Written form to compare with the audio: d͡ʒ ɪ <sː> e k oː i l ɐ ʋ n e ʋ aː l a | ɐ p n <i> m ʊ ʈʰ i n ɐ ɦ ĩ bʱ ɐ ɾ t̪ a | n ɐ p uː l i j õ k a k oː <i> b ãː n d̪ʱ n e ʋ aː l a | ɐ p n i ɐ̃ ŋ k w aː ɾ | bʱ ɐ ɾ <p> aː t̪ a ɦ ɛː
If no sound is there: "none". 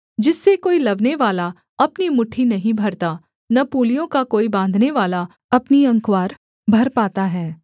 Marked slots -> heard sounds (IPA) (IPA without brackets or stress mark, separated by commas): sː, i, i, p